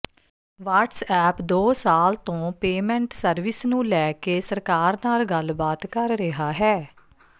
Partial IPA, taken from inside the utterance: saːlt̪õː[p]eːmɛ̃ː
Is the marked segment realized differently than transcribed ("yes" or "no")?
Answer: no